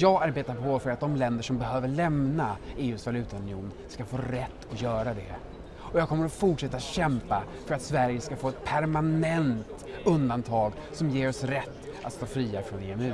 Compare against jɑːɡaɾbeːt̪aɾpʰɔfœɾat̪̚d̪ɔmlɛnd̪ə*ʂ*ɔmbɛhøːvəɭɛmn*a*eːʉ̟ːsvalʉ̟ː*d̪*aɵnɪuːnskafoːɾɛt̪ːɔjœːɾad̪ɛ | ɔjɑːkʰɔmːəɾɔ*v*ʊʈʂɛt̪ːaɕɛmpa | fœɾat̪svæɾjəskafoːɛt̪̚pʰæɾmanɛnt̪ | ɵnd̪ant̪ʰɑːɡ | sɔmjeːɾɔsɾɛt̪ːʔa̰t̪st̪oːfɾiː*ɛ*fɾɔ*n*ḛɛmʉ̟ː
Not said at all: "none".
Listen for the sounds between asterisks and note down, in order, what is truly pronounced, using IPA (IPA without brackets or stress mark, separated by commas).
ʂ, a, t̪, f, a, n